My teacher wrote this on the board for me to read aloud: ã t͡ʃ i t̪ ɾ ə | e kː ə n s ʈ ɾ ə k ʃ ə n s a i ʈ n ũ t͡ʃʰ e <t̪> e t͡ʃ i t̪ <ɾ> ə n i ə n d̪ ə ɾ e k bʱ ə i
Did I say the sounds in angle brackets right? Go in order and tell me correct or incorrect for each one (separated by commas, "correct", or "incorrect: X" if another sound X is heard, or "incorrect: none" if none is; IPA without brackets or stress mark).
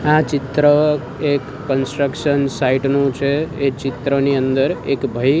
incorrect: none, correct